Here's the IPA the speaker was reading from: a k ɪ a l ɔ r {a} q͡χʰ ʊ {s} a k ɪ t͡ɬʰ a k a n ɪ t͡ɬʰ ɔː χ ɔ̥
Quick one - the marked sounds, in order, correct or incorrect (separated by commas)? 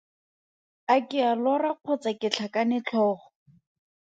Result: correct, incorrect